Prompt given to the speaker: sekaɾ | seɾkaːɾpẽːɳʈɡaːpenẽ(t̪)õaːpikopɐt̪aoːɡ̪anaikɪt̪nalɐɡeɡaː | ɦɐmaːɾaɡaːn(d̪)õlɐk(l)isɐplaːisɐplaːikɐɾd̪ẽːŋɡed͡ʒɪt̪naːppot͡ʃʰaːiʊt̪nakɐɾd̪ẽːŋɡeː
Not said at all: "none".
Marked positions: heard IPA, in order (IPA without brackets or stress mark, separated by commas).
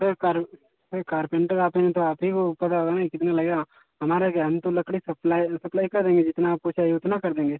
t̪, t̪, ɽ